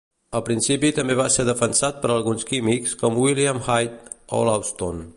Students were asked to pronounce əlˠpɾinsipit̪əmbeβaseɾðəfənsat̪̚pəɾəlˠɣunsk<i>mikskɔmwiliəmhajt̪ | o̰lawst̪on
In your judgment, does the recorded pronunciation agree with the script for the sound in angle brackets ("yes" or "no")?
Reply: yes